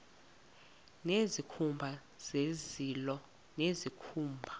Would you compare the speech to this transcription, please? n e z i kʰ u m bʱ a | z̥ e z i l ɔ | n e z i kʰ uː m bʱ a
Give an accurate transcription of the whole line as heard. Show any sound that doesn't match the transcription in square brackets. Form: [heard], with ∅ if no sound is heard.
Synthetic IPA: n e z i kʰ u m bʱ a | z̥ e z i l ɔ | n e z i kʰ uː m bʱ a